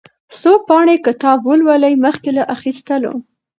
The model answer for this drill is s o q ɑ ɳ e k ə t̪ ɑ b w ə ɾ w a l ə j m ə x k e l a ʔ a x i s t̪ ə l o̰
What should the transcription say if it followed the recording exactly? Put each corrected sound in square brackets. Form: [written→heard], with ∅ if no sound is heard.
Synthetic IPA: s o [q→p] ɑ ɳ e k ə t̪ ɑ b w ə [ɾ→l] w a l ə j m ə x k e l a ʔ a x i s t̪ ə l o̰

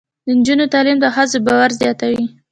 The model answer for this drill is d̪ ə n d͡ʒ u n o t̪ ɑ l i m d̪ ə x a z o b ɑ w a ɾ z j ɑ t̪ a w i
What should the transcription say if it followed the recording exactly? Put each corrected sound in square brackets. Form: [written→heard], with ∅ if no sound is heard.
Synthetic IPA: d̪ ə n d͡ʒ u n o t̪ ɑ l i m d̪ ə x a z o b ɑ w a ɾ z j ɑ t̪ a w i

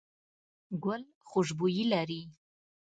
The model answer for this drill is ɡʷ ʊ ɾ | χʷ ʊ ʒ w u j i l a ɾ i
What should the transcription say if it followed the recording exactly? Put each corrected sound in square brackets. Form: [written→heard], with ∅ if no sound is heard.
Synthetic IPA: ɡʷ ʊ [ɾ→l] | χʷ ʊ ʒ [w→b] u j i l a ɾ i

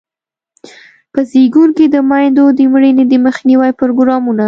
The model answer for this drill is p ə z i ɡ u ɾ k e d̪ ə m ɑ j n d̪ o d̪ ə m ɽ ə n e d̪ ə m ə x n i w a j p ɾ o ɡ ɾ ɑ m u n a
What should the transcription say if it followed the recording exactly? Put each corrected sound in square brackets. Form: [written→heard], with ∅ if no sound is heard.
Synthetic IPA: p ə z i ɡ u ɾ k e d̪ ə m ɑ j n d̪ o d̪ ə m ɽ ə n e d̪ ə m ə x n i w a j p ɾ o ɡ ɾ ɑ m u n a

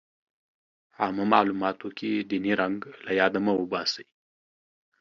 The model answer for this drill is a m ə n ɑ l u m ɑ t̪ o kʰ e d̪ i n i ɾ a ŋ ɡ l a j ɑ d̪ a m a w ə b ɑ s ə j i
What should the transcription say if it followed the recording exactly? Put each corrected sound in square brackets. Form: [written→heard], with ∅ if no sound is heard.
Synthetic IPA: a m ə [n→m] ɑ l u m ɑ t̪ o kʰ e d̪ i n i ɾ a ŋ ɡ l a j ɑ d̪ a m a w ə b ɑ s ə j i

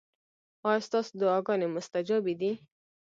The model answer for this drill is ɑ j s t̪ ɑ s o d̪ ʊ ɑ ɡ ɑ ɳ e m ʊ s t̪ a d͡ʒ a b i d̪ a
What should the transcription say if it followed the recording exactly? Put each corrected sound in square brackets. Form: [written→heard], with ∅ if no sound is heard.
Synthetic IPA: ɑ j s t̪ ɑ s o d̪ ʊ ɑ ɡ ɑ [ɳ→n] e m ʊ s t̪ a d͡ʒ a b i d̪ [a→i]

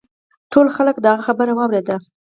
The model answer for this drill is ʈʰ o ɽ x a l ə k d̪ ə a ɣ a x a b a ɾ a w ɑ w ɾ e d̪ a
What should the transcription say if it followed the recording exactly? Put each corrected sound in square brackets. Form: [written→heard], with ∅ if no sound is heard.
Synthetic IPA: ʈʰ o [ɽ→l] x a l ə k d̪ ə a ɣ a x a b [a→ə] ɾ a w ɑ w ɾ e d̪ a

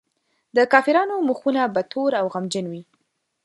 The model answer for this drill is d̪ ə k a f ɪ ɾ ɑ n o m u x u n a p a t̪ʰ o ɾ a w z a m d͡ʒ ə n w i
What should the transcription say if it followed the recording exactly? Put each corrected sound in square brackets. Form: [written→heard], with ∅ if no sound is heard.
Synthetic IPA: d̪ ə k [a→ɑ] f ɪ ɾ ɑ n o m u x u n a [p→b] a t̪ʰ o ɾ a w [z→ɣ] a m d͡ʒ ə n w i

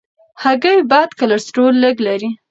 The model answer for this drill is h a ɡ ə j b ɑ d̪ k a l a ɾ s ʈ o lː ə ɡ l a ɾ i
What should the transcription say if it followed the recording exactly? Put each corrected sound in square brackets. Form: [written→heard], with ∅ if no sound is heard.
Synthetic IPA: h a ɡ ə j b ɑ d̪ k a l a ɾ s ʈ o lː ə ɡ l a ɾ i

